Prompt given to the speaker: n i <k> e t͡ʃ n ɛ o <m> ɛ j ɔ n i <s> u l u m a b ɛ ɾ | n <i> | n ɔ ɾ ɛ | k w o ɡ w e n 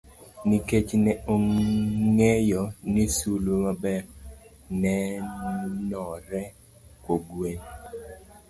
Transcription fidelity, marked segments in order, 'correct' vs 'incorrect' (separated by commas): correct, incorrect, correct, incorrect